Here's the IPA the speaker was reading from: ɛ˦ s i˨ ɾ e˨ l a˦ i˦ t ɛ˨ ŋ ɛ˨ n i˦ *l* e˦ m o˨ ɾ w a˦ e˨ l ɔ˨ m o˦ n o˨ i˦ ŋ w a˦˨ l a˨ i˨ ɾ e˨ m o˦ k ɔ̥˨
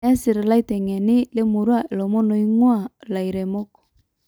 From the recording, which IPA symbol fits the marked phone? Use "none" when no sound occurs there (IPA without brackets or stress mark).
l